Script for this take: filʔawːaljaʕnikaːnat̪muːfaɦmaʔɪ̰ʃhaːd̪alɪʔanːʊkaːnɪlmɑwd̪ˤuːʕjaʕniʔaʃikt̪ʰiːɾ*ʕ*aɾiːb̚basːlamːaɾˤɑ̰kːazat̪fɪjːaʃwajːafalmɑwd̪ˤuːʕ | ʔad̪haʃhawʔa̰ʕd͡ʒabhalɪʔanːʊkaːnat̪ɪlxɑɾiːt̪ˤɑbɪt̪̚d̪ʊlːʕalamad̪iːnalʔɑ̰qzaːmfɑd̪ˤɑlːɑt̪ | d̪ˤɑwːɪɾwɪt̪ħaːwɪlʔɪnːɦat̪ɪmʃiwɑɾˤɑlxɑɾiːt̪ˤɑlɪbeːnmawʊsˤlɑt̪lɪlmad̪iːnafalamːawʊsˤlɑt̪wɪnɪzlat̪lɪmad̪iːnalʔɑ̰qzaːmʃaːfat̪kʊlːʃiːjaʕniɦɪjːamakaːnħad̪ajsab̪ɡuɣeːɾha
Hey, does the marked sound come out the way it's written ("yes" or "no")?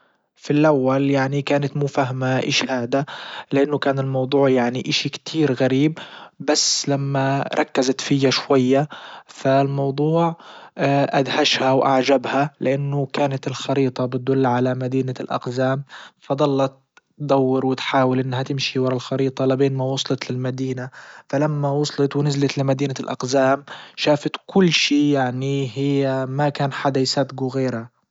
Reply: no